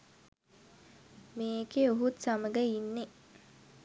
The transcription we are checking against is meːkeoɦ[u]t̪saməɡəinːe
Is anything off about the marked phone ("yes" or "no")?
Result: no